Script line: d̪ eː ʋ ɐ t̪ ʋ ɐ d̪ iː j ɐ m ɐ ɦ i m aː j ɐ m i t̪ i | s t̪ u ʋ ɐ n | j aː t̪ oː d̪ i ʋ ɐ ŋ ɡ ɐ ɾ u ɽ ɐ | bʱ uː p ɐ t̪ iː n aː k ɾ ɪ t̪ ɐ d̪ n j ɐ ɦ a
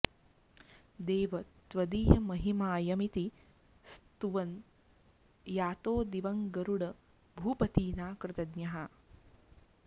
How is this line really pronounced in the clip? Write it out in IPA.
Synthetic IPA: d̪ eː ʋ ɐ t̪ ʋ ɐ d̪ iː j ɐ m ɐ ɦ i m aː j ɐ m i t̪ i | s t̪ u ʋ ɐ n | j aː t̪ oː d̪ i ʋ ɐ ŋ ɡ ɐ ɾ u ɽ ɐ | bʱ uː p ɐ t̪ iː n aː k ɾ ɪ t̪ ɐ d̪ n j ɐ ɦ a